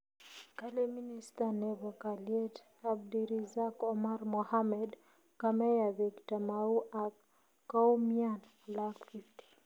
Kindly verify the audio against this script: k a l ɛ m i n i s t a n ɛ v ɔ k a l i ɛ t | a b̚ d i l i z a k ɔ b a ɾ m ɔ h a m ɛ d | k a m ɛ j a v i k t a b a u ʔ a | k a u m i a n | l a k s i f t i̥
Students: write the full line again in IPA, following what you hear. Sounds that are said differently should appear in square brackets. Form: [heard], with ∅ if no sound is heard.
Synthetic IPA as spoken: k a l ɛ m i n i s t a n ɛ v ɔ k a l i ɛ t | a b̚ d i [ɾ] i z a k ɔ [m] a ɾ m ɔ h a m ɛ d | k a m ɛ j a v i k t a [m] a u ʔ a | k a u m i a n | l a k [f] i f t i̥